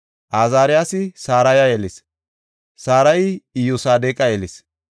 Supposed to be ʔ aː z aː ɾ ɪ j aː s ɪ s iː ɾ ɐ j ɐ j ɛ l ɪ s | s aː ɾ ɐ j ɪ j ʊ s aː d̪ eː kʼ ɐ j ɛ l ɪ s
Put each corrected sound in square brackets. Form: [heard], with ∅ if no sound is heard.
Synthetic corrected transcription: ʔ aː z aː ɾ ɪ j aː s ɪ s [aː] ɾ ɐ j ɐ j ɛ l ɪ s | s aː ɾ ɐ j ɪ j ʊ s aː d̪ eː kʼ ɐ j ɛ l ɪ s